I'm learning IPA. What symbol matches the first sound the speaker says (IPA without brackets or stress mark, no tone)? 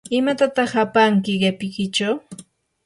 ɪ